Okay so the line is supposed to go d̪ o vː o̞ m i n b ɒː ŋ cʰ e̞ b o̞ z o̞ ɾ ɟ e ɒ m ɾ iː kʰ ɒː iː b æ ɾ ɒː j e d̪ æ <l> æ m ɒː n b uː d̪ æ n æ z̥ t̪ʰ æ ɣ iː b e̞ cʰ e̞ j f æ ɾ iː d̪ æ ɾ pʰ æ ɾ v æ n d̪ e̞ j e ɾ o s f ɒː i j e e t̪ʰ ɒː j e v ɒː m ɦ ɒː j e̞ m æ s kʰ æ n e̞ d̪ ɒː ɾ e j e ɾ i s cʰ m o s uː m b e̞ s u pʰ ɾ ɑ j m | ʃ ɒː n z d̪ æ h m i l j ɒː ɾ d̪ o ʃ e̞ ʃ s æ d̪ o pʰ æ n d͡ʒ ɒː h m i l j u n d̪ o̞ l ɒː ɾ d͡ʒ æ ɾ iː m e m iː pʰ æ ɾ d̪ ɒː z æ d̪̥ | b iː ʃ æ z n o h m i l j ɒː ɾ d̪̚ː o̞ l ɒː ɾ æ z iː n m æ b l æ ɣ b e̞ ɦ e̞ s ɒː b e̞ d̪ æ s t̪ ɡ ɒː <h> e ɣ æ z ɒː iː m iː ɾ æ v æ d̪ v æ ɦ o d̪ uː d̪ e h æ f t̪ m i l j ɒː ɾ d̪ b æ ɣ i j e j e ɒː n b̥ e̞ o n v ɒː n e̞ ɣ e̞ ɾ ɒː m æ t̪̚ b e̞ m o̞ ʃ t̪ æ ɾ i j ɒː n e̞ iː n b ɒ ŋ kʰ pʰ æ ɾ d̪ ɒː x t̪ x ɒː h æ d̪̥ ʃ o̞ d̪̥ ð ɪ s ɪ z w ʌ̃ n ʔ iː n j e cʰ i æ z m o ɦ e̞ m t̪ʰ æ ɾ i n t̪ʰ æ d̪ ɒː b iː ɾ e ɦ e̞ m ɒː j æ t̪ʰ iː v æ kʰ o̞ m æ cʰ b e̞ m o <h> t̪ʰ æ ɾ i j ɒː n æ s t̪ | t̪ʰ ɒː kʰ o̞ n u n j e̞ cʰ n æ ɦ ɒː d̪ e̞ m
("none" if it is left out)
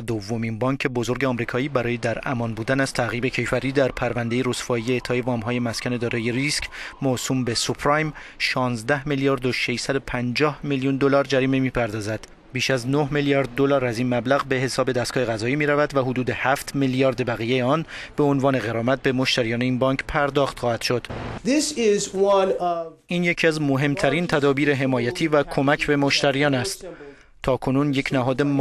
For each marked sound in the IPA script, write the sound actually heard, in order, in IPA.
ɾ, h, ʃ

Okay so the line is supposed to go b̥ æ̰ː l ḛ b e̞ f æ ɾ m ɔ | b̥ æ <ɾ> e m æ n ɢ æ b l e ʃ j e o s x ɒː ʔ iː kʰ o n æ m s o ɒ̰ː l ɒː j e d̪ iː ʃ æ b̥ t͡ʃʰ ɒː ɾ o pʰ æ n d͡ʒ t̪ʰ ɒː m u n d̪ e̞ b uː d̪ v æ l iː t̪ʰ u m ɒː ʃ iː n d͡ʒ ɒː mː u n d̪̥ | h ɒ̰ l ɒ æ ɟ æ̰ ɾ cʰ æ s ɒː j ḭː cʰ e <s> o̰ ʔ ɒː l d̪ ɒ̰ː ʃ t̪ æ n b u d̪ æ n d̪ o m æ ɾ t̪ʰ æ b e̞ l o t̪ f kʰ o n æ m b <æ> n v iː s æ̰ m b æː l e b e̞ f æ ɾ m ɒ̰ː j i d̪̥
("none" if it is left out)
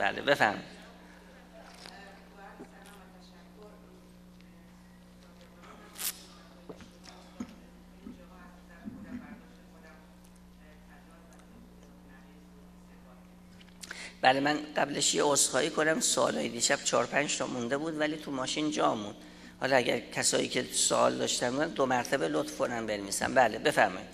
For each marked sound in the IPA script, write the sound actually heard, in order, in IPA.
l, s, e

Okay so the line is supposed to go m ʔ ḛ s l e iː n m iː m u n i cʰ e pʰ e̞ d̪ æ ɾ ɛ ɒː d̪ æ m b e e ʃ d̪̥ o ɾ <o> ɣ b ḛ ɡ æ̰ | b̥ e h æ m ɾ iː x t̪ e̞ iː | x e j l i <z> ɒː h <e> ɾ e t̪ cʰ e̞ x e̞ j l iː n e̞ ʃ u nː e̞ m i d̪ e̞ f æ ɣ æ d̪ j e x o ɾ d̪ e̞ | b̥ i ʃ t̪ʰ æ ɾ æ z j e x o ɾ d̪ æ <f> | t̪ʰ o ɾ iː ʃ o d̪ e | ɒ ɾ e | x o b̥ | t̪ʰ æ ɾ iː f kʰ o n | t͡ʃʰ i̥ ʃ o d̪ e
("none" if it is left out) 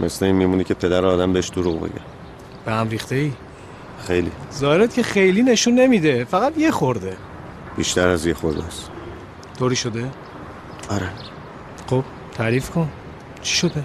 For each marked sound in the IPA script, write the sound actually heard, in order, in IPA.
u, z, e, s

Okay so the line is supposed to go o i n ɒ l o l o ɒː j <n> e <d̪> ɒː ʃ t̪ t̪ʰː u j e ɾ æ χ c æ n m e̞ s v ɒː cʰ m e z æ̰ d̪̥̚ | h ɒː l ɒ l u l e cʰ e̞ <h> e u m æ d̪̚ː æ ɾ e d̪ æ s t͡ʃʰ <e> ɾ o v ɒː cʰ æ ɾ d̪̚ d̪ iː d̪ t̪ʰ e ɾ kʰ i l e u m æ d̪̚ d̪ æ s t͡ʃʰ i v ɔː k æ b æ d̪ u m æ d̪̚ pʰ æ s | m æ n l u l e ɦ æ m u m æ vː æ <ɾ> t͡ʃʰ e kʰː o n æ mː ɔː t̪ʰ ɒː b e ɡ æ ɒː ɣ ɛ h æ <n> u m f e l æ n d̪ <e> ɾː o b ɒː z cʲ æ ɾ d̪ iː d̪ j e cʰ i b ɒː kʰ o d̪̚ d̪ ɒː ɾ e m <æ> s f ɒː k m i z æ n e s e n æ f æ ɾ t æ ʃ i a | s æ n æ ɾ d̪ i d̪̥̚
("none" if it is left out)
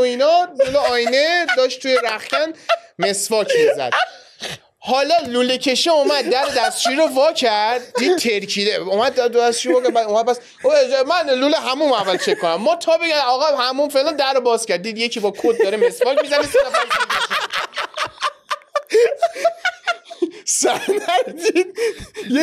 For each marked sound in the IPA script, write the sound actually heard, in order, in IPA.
n, d̪, ʃ, i, l, m, æ, e

